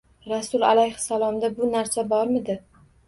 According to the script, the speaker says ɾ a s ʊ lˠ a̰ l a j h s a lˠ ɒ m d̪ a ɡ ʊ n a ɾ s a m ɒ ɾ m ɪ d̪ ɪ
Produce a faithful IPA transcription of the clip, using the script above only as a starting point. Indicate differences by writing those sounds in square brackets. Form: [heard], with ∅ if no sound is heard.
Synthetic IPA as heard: ɾ a s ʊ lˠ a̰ l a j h s a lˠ ɒ m d̪ a [b] ʊ n a ɾ s a [b] ɒ ɾ m ɪ d̪ ɪ